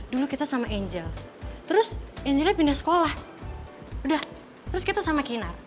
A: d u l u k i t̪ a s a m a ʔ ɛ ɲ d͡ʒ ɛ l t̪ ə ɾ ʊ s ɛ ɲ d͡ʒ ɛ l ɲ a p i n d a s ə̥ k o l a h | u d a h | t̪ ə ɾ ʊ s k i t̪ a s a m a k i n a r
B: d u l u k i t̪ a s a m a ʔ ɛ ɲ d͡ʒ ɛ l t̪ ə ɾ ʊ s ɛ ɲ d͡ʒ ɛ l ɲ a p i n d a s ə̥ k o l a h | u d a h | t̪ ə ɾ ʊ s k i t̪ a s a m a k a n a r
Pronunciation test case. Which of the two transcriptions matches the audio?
A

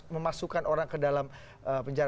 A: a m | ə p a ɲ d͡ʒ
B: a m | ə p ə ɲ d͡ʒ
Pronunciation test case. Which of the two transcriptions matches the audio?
B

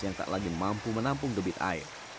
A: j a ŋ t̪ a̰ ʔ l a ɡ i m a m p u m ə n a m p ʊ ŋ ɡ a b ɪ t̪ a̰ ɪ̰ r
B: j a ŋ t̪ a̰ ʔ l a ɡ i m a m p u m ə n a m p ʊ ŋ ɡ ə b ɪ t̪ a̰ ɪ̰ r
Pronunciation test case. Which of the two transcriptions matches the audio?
B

